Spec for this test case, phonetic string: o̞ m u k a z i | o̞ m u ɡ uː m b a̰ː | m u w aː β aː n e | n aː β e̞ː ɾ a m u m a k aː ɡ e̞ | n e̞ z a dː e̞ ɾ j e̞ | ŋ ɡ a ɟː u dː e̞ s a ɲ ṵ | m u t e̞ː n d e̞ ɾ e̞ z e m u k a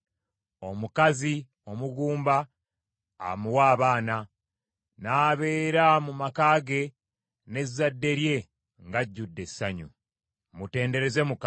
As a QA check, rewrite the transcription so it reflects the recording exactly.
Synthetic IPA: o̞ m u k a z i | o̞ m u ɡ uː m b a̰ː | m u w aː β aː n a | n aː β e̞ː ɾ a m u m a k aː ɡ e̞ | n e̞ z a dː e̞ ɾ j e̞ | ŋ ɡ a ɟː u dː e̞ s a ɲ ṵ | m u t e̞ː n d e̞ ɾ e̞ z e m u k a